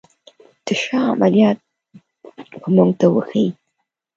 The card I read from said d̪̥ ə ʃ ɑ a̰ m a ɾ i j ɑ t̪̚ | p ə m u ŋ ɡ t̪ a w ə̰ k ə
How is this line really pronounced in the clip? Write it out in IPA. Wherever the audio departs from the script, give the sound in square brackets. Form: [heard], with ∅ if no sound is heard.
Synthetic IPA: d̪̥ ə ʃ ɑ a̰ m a [l] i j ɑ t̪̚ | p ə m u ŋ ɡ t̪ a w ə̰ [x] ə